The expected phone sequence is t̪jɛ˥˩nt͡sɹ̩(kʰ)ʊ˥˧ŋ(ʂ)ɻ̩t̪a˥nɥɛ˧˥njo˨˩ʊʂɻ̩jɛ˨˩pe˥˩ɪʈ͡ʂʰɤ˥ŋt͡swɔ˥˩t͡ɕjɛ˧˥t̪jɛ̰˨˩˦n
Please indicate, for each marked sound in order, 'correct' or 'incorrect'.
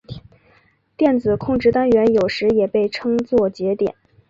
correct, incorrect

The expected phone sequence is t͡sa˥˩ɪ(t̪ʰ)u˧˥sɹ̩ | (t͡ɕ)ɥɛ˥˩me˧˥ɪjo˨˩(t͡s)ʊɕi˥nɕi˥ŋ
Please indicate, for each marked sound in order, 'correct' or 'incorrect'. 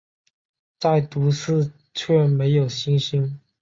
incorrect, incorrect, incorrect

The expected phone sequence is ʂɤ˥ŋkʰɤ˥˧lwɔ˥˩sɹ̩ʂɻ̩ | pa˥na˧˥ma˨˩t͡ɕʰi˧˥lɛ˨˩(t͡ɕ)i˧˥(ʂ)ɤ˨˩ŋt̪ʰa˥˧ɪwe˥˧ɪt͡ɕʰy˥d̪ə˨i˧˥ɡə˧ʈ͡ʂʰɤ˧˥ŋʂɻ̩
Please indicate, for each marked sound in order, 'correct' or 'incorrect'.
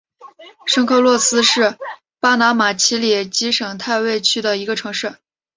correct, correct

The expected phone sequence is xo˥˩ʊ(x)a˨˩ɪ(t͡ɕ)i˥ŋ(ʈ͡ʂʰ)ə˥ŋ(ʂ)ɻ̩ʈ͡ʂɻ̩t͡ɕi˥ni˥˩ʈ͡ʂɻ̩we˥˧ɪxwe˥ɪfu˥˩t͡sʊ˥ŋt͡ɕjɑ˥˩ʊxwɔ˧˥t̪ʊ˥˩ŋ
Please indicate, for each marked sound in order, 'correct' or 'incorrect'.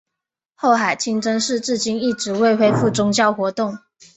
correct, incorrect, incorrect, correct

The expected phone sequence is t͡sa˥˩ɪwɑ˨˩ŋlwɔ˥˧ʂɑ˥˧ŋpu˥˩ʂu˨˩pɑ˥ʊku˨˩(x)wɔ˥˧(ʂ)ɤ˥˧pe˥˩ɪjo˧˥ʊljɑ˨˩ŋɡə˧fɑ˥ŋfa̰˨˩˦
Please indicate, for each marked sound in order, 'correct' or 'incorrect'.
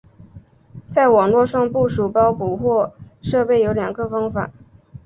correct, correct

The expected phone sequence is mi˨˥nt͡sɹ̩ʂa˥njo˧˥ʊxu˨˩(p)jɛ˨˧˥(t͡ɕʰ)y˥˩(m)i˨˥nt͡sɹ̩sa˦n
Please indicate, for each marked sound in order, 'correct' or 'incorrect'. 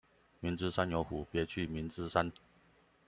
correct, correct, correct

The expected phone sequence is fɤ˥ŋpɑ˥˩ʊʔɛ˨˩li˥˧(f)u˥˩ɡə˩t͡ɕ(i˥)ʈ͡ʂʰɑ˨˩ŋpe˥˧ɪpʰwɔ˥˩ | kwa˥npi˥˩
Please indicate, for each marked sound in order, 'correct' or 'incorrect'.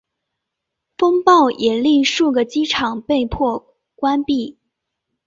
incorrect, correct

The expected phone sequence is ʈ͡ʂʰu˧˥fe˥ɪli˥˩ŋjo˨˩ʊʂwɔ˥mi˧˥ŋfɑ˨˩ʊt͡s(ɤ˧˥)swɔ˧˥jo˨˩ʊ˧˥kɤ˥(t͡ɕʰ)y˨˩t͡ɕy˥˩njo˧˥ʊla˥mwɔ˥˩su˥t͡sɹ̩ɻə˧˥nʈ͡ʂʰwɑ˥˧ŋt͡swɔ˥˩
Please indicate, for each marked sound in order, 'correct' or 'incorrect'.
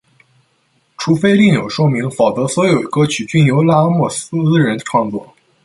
correct, correct

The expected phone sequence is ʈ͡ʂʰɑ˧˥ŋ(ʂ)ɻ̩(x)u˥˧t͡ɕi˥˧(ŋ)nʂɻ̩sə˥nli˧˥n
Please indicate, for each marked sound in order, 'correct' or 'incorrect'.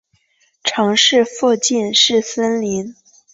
correct, incorrect, incorrect

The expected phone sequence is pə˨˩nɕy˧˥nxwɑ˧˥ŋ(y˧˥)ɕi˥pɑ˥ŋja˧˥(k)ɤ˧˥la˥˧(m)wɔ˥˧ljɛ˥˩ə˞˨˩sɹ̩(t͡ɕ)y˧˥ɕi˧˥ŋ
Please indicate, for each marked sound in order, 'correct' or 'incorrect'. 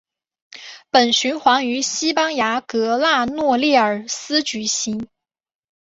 correct, correct, incorrect, correct

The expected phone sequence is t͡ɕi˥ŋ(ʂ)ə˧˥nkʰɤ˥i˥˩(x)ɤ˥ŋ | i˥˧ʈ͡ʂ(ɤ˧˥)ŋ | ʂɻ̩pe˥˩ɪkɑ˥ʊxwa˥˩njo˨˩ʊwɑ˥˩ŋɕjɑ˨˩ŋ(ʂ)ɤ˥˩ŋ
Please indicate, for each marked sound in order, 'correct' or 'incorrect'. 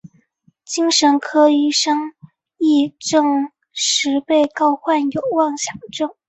correct, incorrect, incorrect, incorrect

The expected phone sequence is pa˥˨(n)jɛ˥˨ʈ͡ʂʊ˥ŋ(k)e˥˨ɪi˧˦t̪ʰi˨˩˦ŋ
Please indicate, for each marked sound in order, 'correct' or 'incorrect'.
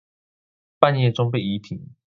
correct, incorrect

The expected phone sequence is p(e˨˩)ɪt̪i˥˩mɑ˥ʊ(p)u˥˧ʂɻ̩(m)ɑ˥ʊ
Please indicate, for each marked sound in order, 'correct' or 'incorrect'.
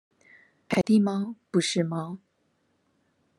incorrect, correct, correct

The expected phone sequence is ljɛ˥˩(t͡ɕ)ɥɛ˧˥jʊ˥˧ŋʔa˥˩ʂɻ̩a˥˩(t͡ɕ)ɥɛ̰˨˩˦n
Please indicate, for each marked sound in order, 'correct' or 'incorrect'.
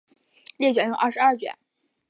correct, correct

